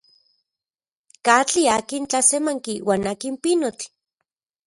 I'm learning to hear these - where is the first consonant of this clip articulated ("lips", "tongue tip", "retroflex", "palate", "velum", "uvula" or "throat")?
velum